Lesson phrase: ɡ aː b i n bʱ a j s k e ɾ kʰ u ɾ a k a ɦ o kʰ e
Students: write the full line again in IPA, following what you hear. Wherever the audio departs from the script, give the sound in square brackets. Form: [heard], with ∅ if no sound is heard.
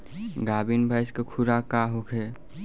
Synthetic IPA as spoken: ɡ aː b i n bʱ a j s k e [∅] kʰ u ɾ a k a ɦ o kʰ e